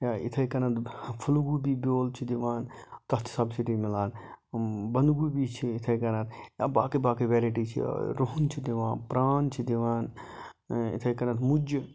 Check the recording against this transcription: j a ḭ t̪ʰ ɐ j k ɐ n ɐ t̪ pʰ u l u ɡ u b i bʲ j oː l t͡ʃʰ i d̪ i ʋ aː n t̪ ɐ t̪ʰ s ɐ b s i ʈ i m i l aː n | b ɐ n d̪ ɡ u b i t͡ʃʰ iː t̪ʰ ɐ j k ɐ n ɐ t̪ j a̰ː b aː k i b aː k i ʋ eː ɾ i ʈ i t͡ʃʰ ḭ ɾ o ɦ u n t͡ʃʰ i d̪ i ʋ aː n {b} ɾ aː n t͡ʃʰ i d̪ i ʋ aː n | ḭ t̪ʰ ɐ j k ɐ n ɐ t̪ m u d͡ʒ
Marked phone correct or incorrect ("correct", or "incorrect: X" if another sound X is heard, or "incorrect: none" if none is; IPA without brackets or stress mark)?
incorrect: p